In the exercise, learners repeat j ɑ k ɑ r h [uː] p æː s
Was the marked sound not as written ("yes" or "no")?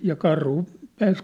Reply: yes